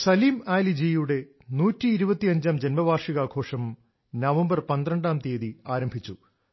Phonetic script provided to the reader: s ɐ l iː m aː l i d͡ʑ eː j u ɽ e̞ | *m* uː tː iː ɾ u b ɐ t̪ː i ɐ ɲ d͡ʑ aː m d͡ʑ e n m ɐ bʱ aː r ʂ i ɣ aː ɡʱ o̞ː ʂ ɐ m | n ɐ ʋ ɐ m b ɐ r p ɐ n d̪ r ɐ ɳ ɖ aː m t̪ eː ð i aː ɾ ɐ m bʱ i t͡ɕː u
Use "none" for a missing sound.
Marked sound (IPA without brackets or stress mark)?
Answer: n